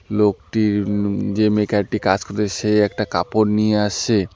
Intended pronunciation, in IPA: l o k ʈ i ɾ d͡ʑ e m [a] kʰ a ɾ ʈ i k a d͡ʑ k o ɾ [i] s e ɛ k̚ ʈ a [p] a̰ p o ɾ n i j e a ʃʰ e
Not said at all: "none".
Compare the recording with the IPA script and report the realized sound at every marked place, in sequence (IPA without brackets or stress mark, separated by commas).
e, e, k